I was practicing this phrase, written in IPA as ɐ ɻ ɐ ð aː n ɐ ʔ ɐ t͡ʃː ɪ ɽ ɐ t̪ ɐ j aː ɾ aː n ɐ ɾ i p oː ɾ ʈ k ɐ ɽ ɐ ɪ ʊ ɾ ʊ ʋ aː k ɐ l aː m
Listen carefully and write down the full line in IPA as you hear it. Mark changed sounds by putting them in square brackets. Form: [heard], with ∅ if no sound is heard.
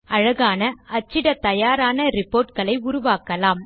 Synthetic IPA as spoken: ɐ ɻ ɐ [ɣ] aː n ɐ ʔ ɐ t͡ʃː ɪ ɽ ɐ t̪ ɐ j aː ɾ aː n ɐ ɾ [ɪ] p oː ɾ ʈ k ɐ [ɭ] ɐ ɪ ʊ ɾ ʊ ʋ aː k ɐ l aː m